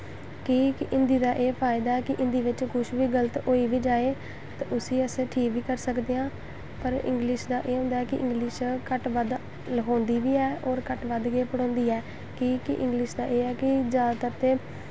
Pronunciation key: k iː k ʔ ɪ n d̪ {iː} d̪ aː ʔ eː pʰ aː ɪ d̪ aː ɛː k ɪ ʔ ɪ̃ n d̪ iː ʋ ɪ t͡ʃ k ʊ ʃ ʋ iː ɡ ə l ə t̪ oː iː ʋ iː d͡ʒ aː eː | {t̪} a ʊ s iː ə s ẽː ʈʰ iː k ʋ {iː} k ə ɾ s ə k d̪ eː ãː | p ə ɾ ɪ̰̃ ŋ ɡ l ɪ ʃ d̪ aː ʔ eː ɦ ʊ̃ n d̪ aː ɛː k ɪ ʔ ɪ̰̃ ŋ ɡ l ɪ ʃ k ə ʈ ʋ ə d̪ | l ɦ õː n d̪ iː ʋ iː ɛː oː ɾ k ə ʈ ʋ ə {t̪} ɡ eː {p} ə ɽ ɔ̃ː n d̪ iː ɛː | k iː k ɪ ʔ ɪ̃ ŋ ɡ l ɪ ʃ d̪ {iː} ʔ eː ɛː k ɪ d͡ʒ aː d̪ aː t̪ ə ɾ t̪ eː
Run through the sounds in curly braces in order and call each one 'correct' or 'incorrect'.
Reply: correct, correct, correct, incorrect: d̪, correct, incorrect: aː

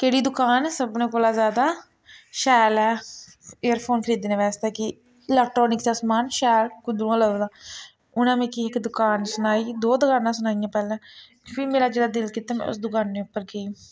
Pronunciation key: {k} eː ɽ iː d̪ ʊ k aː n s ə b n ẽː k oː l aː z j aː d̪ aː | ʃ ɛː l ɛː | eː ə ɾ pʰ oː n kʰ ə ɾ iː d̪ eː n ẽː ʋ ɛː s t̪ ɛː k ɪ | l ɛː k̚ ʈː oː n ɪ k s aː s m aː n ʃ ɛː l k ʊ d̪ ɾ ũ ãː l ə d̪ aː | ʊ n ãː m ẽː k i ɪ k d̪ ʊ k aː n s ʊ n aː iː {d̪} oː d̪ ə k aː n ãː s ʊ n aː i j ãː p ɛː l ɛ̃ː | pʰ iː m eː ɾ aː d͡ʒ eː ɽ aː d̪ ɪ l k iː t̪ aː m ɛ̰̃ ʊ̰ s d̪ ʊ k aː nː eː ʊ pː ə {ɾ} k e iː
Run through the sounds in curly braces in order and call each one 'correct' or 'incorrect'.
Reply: correct, correct, correct

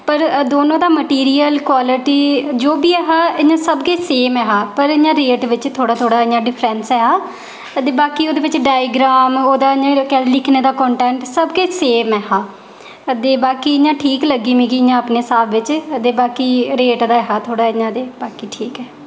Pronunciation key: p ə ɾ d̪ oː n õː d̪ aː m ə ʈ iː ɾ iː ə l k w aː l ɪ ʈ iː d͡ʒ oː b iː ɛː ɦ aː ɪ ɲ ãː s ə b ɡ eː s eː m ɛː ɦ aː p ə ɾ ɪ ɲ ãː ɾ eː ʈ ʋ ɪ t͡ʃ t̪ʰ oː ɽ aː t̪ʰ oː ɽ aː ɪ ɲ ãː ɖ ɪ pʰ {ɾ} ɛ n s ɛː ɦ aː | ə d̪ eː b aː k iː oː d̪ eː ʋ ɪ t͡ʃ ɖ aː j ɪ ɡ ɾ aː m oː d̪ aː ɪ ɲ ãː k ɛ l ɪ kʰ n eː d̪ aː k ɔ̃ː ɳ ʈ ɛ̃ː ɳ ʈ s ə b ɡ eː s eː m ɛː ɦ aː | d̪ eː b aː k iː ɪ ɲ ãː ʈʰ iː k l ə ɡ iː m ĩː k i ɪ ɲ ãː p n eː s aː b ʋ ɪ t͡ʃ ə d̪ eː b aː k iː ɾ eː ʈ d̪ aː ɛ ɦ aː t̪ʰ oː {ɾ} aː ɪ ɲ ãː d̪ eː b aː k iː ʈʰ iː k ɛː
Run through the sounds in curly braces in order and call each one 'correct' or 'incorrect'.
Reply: correct, incorrect: ɽ

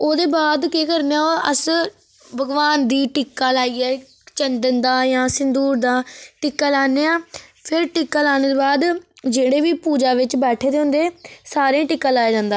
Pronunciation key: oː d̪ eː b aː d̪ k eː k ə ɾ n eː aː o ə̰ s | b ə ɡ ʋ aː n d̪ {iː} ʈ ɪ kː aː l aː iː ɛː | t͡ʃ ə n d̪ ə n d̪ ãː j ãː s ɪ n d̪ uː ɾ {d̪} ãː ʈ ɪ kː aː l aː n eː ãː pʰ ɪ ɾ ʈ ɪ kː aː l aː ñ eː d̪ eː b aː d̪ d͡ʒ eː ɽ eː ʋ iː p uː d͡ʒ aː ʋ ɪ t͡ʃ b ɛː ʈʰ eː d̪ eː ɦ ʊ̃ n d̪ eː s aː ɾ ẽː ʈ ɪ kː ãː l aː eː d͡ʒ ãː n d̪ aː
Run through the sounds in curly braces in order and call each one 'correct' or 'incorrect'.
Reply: correct, correct

